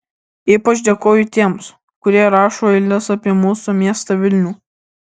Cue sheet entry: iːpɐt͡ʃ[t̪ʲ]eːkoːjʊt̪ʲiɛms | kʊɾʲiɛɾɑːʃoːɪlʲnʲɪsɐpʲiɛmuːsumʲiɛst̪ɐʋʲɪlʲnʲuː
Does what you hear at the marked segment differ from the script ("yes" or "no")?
yes